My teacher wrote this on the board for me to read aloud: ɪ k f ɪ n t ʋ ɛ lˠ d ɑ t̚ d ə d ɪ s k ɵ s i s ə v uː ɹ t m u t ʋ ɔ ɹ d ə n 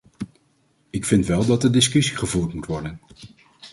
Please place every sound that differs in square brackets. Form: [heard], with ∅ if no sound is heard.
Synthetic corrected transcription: ɪ k f ɪ n t ʋ ɛ lˠ d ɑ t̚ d ə d ɪ s k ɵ s i [χ] ə v uː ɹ t m u t ʋ ɔ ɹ d ə n